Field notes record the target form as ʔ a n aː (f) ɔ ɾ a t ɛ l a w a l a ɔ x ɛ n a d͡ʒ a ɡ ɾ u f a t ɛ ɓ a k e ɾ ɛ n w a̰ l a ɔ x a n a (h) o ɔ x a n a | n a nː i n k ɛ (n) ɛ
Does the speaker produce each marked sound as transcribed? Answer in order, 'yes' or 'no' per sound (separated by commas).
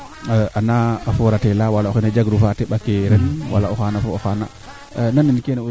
yes, no, yes